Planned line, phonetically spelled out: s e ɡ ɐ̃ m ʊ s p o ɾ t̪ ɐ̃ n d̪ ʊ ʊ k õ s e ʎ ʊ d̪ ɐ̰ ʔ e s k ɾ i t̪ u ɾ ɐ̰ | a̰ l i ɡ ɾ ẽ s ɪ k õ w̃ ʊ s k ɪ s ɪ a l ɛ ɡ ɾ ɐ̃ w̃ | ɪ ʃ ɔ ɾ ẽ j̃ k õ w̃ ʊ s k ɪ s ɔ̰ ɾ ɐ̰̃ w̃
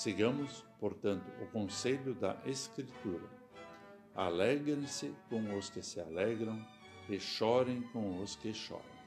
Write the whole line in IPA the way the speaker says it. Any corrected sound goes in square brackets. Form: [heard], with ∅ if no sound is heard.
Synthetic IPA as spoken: s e ɡ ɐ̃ m ʊ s p o ɾ t̪ ɐ̃ n [t̪] ʊ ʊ k õ s e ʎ ʊ d̪ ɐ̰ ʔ e s k ɾ i t̪ u ɾ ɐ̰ | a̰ l [ɛ] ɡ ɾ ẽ s ɪ k õ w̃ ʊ s k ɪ s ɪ a l ɛ ɡ ɾ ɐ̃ w̃ | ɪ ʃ ɔ ɾ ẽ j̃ k õ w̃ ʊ s k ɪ [ʃ] ɔ̰ ɾ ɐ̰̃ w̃